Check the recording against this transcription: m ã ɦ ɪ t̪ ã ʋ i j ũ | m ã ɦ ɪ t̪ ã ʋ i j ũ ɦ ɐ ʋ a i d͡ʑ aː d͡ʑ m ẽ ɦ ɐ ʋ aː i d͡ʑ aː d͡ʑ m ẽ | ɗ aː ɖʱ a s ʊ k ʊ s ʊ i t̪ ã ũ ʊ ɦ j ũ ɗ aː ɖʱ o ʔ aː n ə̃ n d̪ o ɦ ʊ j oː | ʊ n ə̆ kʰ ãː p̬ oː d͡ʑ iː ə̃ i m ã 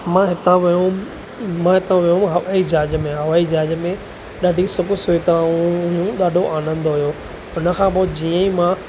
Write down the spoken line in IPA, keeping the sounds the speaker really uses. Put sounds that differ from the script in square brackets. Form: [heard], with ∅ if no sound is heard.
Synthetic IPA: m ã ɦ ɪ t̪ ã ʋ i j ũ | m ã ɦ ɪ t̪ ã ʋ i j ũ ɦ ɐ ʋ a i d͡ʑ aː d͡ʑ m ẽ ɦ ɐ ʋ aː i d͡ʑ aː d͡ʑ m ẽ | ɗ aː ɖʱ [i] s ʊ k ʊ s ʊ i t̪ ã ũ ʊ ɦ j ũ ɗ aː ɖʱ o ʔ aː n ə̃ n d̪ o ɦ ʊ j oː | ʊ n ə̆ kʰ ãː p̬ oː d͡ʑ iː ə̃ i m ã